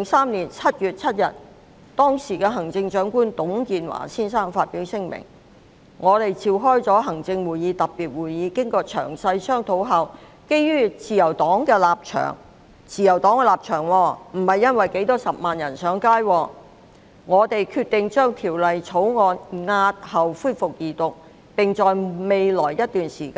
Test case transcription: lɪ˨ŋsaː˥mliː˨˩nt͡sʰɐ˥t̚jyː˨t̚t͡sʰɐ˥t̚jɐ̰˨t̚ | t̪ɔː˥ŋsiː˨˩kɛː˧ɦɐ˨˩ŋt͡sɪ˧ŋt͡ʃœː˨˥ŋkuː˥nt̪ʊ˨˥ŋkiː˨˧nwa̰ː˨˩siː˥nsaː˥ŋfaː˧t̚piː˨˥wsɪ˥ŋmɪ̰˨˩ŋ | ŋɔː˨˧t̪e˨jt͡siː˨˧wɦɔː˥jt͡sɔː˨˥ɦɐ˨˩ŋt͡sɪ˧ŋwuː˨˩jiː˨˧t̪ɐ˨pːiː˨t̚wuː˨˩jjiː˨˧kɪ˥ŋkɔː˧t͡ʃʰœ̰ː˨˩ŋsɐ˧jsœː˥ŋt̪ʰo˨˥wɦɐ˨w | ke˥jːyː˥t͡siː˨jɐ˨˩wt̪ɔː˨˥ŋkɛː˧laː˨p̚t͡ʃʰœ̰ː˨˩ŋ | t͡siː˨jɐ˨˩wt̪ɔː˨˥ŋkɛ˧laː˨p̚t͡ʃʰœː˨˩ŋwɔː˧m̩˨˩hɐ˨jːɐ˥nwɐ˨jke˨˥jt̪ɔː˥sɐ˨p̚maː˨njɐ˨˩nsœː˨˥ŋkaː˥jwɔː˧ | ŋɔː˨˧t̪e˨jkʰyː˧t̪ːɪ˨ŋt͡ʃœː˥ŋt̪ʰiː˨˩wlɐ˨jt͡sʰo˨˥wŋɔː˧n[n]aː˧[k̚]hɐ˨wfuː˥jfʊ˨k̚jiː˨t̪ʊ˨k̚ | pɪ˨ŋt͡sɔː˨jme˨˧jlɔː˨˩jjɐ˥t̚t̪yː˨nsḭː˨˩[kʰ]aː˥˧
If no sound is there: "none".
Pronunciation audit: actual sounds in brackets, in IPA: ŋ, t̚, k

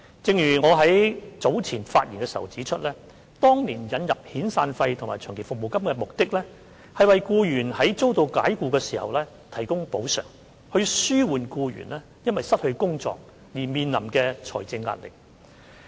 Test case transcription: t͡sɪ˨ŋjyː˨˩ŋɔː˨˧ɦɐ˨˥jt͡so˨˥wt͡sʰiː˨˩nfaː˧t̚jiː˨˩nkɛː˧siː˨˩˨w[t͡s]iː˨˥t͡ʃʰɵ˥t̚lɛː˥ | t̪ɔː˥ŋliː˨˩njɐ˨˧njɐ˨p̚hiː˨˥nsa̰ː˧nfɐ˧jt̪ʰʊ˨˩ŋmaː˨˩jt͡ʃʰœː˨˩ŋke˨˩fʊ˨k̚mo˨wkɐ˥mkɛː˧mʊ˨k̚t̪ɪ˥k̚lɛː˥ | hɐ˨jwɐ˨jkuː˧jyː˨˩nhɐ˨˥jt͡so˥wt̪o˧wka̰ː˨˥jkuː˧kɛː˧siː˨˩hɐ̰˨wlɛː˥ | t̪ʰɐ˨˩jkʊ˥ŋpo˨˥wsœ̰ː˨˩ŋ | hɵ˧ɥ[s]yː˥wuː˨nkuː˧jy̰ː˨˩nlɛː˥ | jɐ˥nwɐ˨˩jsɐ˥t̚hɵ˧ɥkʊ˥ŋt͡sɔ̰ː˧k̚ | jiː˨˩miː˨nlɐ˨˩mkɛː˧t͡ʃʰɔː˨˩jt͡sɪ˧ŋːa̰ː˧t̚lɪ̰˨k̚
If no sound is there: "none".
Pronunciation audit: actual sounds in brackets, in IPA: t͡s, s

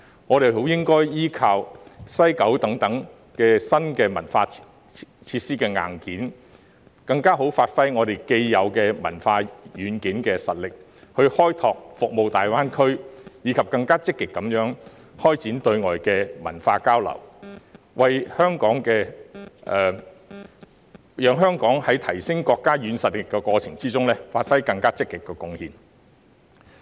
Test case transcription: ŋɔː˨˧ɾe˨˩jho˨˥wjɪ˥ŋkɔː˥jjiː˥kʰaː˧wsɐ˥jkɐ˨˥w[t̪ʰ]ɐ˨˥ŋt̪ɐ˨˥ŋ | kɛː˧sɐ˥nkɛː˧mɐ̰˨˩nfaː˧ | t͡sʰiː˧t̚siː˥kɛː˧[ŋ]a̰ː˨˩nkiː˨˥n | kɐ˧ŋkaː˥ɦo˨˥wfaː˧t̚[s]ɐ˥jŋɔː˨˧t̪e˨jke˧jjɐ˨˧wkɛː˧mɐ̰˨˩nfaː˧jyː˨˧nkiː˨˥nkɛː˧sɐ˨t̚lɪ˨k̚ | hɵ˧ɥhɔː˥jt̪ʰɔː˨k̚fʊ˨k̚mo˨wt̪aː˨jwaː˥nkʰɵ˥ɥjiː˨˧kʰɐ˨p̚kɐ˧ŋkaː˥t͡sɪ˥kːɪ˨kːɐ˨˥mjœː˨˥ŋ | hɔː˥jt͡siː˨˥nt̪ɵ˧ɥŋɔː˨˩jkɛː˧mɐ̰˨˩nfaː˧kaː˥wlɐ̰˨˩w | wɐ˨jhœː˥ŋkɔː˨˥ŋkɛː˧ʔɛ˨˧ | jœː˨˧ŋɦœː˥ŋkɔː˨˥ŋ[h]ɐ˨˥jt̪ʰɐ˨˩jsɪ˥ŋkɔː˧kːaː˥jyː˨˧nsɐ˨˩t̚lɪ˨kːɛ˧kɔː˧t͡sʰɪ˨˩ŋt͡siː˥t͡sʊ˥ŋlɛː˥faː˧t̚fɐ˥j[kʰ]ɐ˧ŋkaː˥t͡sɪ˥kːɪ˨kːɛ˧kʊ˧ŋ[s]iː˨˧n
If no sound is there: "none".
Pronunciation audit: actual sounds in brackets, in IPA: t̪, ŋ, f, h, k, h

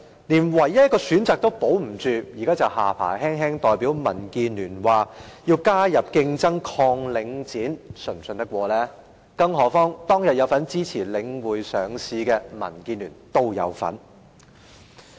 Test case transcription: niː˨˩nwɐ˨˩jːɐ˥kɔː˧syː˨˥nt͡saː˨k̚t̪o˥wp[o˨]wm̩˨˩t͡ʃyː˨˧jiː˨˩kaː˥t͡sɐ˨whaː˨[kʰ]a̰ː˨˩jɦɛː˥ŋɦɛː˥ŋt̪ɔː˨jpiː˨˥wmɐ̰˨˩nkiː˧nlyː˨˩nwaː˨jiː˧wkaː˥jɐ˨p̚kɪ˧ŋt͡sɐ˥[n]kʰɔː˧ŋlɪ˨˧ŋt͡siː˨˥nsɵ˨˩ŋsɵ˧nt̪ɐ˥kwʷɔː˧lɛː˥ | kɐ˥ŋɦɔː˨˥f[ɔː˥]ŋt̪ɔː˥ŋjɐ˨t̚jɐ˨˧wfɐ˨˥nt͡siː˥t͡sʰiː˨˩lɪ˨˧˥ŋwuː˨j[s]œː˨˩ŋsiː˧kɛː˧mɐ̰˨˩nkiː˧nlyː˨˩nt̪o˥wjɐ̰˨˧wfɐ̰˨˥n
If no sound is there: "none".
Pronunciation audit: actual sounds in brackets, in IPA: o˨˥, pʰ, ŋ, ɔː˥, s

